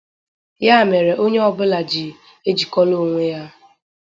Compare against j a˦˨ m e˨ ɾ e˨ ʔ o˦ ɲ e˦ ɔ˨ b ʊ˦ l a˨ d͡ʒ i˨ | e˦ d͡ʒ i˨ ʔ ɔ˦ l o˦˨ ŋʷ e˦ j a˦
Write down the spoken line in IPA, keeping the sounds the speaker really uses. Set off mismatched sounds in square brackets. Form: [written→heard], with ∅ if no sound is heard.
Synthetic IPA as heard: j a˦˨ m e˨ ɾ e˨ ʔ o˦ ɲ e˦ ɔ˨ b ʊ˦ l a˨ d͡ʒ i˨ | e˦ d͡ʒ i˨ [ʔ→k] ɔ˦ l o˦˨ ŋʷ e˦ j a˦